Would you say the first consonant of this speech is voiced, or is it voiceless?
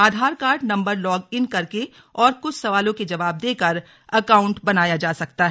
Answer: voiced